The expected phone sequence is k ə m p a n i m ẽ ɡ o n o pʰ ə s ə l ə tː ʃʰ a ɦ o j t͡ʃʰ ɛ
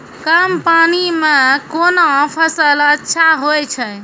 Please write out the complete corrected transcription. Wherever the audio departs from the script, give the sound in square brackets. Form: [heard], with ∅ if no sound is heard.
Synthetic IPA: k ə m p a n i m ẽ [k] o n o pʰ ə s ə l ə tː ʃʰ a ɦ o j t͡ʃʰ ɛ